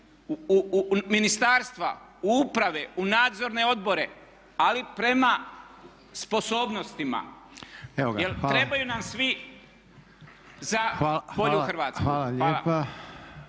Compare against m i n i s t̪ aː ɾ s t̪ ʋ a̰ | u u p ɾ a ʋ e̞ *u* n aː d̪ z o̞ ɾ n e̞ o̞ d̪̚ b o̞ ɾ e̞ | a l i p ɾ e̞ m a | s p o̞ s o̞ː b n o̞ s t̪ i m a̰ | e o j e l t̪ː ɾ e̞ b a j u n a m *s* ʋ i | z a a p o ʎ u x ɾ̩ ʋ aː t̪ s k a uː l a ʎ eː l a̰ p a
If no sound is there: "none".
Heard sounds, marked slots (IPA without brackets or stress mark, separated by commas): u, s